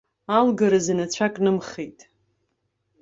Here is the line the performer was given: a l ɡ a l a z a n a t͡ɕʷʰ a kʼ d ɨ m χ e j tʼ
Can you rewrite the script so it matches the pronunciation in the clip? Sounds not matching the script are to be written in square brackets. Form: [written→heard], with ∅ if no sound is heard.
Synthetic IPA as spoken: a l ɡ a [l→ɾ] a z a n a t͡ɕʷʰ a kʼ [d→n] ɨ m χ e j tʼ